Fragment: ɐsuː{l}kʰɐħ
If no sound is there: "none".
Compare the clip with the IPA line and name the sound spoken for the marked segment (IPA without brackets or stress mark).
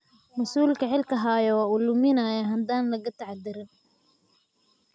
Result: l